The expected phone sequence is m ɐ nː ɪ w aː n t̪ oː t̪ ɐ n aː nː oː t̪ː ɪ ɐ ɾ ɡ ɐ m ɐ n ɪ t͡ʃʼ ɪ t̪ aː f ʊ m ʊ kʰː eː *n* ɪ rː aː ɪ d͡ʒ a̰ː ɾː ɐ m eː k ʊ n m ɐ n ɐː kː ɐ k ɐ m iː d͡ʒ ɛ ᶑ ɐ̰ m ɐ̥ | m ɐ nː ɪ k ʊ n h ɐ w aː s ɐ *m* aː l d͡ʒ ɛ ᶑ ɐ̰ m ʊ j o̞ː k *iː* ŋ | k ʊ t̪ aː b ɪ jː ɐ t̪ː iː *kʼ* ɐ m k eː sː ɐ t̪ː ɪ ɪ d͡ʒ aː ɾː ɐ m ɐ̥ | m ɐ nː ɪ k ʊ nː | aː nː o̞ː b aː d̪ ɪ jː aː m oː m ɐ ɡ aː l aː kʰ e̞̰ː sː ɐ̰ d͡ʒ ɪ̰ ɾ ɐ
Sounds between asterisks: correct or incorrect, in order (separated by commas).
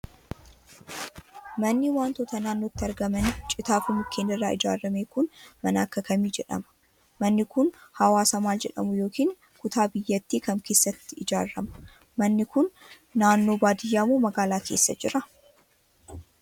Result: correct, correct, correct, incorrect